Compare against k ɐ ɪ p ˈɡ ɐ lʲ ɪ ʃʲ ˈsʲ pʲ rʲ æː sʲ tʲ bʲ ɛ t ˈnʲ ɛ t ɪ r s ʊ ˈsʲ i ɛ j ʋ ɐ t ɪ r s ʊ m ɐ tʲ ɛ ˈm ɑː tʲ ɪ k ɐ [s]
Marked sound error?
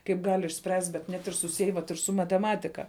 yes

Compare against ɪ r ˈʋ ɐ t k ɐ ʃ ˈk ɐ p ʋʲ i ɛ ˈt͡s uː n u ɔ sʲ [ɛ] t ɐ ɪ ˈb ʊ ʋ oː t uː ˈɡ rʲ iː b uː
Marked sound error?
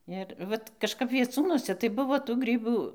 no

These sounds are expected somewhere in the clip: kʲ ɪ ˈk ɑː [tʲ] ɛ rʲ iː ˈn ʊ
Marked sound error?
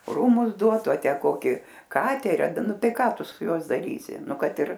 no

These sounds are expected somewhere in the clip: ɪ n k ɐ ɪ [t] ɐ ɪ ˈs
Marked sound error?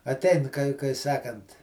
yes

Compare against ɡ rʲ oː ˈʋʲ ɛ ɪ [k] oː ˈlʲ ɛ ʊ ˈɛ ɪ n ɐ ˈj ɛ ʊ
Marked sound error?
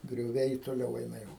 yes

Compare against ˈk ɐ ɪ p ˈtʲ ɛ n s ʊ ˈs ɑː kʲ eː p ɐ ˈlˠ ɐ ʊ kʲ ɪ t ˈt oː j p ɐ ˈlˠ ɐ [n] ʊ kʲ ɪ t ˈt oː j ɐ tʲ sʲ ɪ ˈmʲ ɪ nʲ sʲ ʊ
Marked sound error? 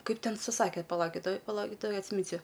yes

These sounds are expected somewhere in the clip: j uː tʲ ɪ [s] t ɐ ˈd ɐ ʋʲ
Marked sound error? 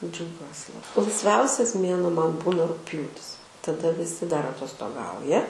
no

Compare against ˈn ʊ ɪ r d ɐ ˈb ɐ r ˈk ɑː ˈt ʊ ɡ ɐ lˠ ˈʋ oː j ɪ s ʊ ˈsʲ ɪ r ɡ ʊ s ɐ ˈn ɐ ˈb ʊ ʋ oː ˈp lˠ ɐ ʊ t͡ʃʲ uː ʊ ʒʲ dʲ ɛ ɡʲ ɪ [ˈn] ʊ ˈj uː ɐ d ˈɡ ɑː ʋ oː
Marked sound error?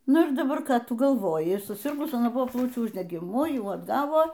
yes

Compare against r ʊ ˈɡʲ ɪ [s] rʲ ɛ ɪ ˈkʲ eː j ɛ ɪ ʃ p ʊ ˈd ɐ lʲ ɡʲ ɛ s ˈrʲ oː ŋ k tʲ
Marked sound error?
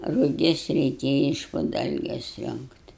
no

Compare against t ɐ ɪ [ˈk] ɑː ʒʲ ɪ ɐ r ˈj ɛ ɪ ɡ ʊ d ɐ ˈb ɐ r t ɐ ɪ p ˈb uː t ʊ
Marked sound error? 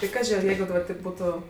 no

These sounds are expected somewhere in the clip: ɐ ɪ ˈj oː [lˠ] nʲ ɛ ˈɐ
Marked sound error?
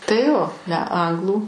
yes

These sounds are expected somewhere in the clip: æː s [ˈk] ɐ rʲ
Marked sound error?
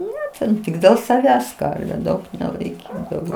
no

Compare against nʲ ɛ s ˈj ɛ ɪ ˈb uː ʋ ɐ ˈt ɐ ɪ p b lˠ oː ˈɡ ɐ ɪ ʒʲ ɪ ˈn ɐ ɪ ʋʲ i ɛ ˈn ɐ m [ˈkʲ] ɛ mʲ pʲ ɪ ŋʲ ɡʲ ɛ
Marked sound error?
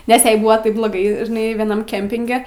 no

